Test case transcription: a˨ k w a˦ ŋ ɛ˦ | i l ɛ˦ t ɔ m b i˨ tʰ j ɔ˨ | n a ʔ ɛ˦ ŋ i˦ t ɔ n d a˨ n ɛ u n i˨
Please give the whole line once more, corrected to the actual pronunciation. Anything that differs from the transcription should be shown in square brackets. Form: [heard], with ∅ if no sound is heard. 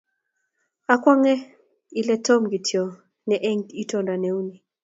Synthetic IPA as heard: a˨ k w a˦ ŋ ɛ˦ | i l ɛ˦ t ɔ m [ɡ] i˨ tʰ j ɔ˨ | n [ɛ] ʔ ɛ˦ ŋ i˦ t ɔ n d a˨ n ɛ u n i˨